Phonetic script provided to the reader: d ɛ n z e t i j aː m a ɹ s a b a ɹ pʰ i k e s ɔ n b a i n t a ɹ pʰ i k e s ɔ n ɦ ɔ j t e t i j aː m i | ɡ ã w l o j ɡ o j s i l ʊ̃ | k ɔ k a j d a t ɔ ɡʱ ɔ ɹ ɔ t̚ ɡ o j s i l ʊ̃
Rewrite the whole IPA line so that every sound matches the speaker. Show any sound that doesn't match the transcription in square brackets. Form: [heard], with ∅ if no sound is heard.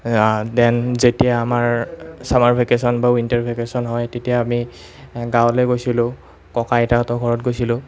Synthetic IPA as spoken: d ɛ n z e t i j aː m a ɹ s a [m] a ɹ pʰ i k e s ɔ n b a i n t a ɹ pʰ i k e s ɔ n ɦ ɔ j t e t i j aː m i | ɡ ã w l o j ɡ o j s i l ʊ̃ | k ɔ k a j [t] a t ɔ ɡʱ ɔ ɹ ɔ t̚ ɡ o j s i l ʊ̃